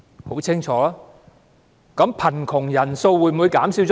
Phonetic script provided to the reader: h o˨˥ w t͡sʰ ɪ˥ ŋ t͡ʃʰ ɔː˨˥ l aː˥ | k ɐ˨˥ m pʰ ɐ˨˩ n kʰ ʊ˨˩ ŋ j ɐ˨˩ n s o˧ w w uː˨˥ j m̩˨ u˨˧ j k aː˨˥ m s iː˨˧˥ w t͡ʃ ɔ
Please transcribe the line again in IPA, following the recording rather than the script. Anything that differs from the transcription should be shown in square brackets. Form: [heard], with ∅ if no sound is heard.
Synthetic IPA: h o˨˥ w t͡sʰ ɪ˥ ŋ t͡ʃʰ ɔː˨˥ l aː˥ | k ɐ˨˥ m pʰ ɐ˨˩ n kʰ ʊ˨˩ ŋ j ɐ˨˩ n s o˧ w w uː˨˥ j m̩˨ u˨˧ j k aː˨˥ m s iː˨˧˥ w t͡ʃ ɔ